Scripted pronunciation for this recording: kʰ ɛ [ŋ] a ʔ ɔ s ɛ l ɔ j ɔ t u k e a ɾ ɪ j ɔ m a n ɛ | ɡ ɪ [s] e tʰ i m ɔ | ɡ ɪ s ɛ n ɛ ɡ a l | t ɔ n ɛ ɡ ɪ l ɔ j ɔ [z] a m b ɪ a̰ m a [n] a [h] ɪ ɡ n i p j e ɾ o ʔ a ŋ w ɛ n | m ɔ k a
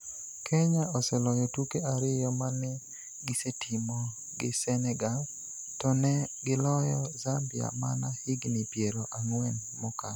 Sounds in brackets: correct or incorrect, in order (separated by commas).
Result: incorrect, correct, correct, correct, correct